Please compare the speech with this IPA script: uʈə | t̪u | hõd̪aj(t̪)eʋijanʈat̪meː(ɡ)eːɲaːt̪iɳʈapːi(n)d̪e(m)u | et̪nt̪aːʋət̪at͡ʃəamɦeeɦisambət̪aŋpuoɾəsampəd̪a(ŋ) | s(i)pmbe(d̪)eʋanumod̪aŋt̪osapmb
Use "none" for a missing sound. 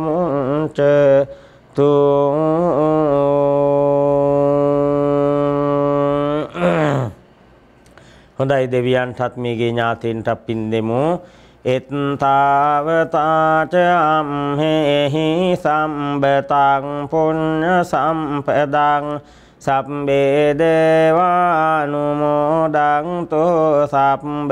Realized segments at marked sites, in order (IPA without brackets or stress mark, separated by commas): d̪, ɡ, n, m, ŋ, a, d̪